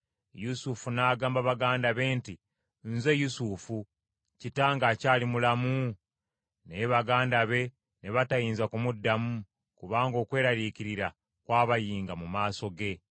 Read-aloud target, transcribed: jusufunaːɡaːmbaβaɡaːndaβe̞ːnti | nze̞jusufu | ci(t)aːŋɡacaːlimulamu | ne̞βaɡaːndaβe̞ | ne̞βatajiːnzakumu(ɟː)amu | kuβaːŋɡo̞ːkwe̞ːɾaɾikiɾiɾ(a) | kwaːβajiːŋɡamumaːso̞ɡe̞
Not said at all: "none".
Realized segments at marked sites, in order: t, dː, a

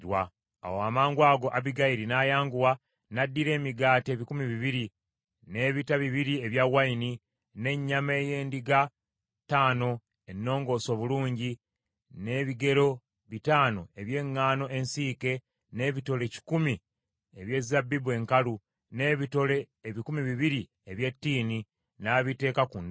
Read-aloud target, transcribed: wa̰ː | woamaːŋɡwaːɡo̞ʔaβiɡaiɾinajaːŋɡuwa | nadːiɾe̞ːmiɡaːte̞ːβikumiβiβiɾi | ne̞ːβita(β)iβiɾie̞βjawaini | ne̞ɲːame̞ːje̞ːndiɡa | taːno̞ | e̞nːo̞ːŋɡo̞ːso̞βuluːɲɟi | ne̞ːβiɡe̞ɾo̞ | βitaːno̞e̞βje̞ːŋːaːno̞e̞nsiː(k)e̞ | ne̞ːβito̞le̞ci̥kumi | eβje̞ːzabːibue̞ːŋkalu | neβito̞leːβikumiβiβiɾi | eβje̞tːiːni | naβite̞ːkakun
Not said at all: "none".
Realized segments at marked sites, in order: β, k

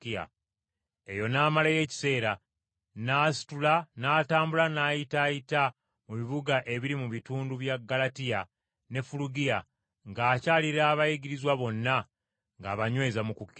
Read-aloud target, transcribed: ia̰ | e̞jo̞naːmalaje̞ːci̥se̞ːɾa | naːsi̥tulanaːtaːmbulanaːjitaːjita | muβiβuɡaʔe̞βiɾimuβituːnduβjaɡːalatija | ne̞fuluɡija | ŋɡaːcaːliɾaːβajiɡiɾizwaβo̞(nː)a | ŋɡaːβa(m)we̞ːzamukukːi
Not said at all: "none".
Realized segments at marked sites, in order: nː, ɲ

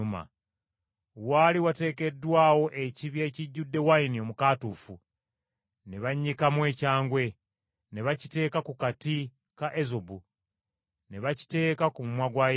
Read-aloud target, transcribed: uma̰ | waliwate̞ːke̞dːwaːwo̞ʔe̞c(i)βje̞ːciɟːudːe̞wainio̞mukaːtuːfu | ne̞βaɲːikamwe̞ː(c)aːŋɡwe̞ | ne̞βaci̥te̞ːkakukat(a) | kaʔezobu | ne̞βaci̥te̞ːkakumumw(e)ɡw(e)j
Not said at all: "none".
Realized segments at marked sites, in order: i, c, i, a, a

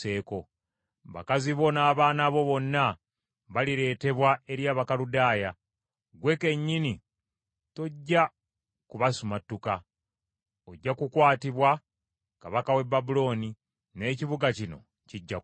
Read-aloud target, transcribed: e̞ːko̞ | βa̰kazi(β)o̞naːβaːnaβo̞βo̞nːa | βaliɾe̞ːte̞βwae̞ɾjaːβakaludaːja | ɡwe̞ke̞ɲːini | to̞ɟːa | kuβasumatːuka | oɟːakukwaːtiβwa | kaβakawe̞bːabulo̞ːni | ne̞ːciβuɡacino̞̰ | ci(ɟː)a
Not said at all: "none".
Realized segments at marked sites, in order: β, ɟː

